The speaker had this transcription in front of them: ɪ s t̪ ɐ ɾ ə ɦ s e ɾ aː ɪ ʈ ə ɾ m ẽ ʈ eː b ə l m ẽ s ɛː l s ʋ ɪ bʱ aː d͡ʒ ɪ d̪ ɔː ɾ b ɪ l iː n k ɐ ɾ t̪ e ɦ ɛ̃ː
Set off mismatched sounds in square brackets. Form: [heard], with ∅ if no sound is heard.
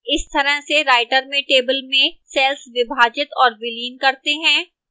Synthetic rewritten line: ɪ s t̪ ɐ ɾ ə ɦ s e ɾ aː ɪ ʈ ə ɾ m ẽ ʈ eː b ə l m ẽ s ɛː l s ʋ ɪ bʱ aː d͡ʒ ɪ [t̪] ɔː ɾ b ɪ l iː n k ɐ ɾ t̪ e ɦ ɛ̃ː